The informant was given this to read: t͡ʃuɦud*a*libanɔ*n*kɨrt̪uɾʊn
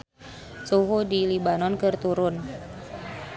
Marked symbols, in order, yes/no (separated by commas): no, yes